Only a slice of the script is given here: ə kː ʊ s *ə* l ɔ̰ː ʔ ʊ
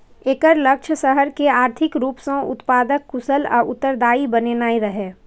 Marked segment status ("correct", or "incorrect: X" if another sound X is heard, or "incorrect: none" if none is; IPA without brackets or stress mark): correct